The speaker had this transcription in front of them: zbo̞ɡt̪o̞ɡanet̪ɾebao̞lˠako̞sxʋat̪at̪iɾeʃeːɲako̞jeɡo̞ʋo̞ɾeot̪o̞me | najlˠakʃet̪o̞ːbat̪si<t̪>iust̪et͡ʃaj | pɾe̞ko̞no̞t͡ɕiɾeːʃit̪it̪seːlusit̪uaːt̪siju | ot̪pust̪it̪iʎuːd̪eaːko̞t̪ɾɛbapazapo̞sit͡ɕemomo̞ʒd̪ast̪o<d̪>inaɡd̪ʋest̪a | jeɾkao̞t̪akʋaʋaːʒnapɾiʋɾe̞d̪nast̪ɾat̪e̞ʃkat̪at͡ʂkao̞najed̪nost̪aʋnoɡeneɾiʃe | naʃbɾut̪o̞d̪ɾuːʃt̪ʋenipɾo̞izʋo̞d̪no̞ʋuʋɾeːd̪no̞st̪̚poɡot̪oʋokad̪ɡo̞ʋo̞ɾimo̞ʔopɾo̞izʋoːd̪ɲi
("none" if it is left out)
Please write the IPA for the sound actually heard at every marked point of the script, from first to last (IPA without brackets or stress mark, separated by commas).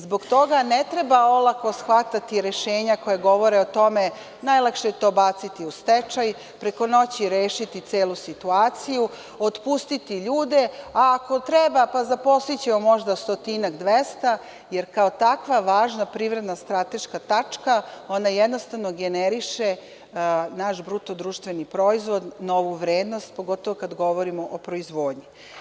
t̪, t̪